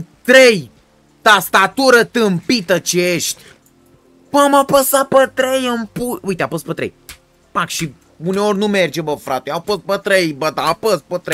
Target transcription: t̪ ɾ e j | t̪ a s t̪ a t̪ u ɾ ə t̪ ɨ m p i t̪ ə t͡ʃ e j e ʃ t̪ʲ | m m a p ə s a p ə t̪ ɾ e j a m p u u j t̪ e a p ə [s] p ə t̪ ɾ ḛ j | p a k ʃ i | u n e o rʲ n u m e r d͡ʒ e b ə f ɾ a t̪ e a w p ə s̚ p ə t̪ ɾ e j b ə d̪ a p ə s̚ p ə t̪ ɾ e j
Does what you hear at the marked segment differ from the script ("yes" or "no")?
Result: no